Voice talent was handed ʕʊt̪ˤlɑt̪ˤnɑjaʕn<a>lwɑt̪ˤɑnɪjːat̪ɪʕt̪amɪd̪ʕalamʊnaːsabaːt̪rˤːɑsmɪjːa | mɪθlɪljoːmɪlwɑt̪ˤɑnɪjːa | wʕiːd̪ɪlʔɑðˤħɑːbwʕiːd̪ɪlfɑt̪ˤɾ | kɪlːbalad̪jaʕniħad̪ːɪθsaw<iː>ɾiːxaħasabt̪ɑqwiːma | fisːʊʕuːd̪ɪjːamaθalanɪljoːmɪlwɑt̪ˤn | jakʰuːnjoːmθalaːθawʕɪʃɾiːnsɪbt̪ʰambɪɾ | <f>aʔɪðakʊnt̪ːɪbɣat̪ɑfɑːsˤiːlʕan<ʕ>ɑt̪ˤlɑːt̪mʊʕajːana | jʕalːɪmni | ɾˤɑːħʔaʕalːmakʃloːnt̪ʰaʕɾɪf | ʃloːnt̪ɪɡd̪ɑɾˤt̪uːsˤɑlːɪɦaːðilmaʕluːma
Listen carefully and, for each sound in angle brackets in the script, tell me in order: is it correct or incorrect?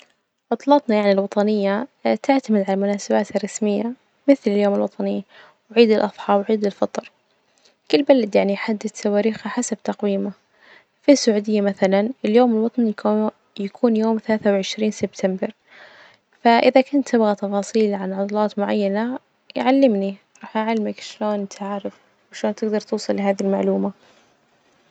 incorrect, incorrect, correct, correct

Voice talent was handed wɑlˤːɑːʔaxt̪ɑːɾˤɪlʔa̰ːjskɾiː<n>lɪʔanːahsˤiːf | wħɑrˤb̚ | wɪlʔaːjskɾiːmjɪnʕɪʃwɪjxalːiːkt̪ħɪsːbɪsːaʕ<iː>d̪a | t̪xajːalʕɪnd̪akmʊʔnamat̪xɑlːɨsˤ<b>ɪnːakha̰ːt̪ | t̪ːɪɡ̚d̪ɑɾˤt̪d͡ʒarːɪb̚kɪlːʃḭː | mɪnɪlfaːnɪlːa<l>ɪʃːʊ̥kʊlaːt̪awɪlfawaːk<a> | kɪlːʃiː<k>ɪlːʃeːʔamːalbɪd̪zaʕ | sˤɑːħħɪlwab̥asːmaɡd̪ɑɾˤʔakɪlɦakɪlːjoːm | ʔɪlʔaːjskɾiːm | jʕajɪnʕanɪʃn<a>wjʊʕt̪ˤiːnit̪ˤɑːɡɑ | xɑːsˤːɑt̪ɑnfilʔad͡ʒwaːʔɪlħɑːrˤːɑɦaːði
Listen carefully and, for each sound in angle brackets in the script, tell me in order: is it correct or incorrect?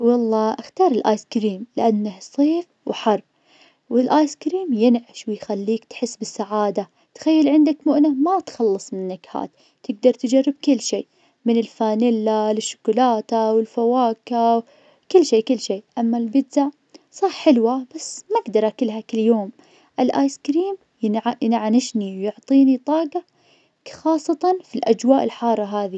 incorrect, incorrect, incorrect, correct, correct, correct, incorrect

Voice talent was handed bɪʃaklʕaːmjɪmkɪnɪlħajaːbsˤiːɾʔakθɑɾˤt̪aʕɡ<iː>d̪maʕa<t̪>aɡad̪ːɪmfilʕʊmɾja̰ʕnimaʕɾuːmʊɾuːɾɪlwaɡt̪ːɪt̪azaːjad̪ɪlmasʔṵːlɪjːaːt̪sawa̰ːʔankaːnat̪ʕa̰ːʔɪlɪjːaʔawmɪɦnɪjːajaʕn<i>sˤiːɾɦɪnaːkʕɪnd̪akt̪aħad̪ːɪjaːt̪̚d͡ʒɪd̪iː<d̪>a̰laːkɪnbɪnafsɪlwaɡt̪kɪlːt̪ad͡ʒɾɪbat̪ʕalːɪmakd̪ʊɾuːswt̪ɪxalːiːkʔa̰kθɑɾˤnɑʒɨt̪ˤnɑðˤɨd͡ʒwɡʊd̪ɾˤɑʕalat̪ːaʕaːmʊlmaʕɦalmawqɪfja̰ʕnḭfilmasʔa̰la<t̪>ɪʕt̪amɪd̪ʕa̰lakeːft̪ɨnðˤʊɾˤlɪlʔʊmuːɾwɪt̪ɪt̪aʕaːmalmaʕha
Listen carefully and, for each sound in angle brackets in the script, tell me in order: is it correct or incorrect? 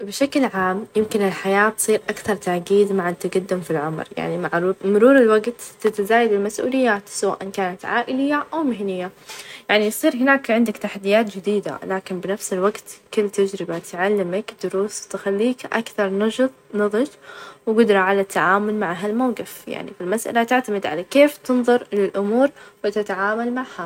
correct, correct, correct, correct, correct

